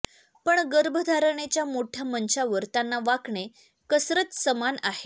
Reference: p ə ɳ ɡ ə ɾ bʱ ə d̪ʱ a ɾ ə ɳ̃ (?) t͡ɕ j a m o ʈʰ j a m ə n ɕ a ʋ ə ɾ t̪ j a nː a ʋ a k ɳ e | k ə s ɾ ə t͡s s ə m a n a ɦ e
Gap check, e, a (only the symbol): e